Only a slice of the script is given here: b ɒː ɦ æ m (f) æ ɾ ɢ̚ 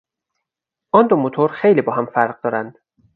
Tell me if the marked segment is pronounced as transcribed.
yes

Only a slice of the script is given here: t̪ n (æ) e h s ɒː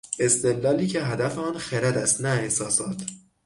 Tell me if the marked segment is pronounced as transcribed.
yes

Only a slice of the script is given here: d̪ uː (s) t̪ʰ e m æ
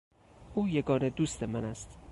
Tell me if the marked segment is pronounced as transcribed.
yes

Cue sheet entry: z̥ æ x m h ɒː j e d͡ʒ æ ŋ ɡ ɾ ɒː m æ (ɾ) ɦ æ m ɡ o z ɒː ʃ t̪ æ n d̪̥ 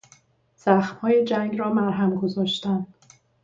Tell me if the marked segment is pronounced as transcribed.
yes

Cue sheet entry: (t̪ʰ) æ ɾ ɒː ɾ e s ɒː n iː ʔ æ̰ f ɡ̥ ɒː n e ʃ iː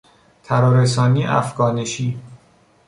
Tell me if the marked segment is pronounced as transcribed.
yes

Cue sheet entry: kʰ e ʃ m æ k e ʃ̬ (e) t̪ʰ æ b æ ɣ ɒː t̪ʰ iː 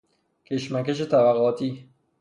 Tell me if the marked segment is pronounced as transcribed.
yes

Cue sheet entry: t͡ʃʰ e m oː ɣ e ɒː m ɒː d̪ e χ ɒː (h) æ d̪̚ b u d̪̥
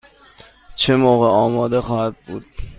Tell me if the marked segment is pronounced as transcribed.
yes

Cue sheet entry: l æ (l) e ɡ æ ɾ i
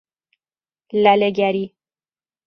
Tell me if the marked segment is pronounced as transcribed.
yes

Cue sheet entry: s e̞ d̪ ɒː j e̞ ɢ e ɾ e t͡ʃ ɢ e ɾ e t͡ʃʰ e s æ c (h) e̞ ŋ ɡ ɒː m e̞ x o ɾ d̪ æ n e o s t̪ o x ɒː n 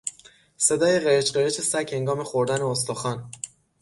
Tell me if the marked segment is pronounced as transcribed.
yes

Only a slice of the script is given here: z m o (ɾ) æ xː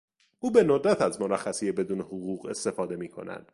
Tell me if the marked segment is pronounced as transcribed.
yes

